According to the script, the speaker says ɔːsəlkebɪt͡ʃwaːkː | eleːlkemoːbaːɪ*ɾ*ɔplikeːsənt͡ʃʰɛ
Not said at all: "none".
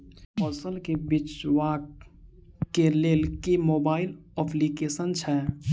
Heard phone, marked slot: l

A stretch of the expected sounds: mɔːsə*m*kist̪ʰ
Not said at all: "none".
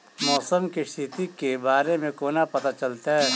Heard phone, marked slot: m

